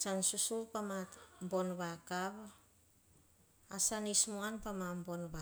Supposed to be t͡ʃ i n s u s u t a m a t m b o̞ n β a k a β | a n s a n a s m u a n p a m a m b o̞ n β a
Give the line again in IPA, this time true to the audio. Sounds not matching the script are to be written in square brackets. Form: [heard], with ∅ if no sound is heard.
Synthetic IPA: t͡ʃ [a] n s u s u [p] a m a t m b o̞ n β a k a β | a [∅] s a n [i] s m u a n p a m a m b o̞ n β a